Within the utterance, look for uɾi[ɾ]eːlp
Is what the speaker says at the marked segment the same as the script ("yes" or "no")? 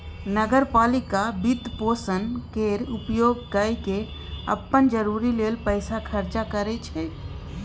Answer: no